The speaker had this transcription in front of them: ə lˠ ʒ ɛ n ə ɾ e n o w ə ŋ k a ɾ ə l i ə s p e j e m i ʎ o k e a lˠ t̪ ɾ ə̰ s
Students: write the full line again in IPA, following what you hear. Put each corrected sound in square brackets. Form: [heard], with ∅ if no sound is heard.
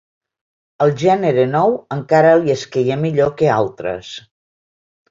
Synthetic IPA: ə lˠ ʒ ɛ n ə ɾ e n [ɔ] w ə ŋ k a ɾ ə l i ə s [k] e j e m i ʎ o k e a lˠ t̪ ɾ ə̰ s